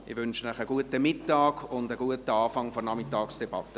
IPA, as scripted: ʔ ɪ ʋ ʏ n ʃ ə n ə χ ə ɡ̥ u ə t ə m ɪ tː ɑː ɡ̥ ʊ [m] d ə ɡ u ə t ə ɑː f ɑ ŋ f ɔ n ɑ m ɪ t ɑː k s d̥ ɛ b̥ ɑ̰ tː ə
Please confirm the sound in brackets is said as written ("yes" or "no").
no